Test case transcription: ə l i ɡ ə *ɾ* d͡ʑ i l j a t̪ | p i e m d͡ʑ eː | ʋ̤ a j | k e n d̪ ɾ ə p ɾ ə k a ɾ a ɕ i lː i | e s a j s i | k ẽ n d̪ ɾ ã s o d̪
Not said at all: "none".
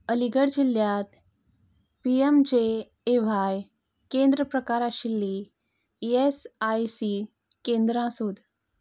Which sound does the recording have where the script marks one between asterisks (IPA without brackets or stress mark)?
ɽ